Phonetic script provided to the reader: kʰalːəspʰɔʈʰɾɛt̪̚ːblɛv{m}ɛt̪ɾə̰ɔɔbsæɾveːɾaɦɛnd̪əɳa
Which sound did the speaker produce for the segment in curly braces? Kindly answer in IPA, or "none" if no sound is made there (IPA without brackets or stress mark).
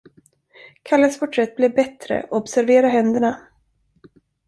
b